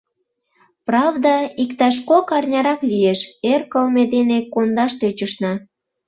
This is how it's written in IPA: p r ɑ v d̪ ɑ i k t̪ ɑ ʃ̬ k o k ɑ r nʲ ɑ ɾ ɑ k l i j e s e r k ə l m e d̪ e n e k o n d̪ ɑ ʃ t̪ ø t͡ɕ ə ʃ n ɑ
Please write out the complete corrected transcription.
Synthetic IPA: p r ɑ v d̪ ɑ i k t̪ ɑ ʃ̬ k o k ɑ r nʲ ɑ ɾ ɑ k l i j e ʃ e r k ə l m e d̪ e n e k o n d̪ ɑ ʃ t̪ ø t͡ɕ ə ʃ n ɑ